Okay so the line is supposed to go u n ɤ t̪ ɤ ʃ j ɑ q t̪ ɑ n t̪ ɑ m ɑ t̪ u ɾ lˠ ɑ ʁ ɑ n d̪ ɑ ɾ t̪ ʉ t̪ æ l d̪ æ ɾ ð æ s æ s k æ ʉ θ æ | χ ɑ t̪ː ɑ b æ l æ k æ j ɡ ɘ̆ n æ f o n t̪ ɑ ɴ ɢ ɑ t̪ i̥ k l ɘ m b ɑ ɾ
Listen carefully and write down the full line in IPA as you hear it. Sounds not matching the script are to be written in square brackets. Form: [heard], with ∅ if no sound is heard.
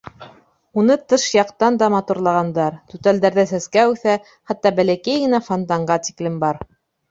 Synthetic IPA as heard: u n ɤ t̪ ɤ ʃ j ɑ q t̪ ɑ n [d̪] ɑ m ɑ t̪ u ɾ lˠ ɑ ʁ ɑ n d̪ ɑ ɾ t̪ ʉ t̪ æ l d̪ æ ɾ ð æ s æ s k æ ʉ θ æ | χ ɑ t̪ː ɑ b æ l æ k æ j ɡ ɘ̆ n æ f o n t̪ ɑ ɴ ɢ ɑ t̪ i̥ k l ɘ m b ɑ ɾ